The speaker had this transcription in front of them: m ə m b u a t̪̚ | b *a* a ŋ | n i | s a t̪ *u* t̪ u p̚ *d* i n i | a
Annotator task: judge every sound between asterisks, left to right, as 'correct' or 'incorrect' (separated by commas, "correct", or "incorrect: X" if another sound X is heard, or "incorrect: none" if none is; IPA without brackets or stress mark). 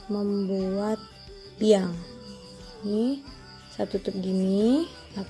incorrect: i, correct, incorrect: ɡ